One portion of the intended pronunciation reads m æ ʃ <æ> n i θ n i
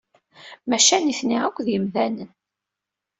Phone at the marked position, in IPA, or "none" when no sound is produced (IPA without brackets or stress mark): æ